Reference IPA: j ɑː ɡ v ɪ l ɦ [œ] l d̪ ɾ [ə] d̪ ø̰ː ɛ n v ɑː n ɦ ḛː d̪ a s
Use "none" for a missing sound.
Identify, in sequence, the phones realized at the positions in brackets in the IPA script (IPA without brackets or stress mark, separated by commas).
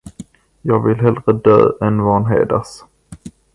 ɛ, ə